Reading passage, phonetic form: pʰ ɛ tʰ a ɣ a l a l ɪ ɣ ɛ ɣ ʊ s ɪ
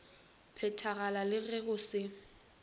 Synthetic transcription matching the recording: pʰ ɛ tʰ a ɣ a l a l ɪ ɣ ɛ ɣ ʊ s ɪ